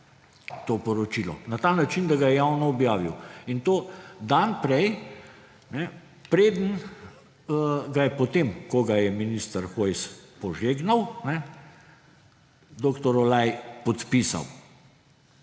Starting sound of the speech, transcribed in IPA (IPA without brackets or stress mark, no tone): t̪